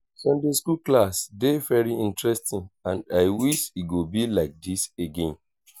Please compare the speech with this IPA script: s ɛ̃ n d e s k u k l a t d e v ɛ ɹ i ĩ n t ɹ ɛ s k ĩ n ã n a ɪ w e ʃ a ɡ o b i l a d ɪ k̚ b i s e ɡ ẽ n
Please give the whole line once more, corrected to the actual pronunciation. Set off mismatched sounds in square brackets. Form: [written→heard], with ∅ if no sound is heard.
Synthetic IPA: s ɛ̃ n d e s k u k l a [t→s] d e v ɛ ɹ i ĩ n t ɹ ɛ s [k→t] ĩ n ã n a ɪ w [e→i] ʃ [a→i] ɡ o b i l a [d→∅] ɪ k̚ [b→d] i s e ɡ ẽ n